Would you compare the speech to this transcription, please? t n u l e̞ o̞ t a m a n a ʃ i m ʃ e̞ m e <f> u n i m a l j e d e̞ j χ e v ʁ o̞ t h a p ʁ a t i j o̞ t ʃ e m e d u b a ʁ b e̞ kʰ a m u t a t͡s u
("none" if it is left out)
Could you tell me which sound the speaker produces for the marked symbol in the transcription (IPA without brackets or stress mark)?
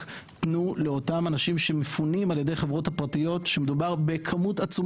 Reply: f